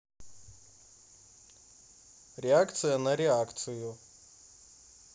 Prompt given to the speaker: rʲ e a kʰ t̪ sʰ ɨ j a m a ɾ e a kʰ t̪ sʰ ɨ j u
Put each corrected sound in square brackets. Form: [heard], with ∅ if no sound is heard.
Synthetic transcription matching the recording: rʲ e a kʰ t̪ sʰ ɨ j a [n] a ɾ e a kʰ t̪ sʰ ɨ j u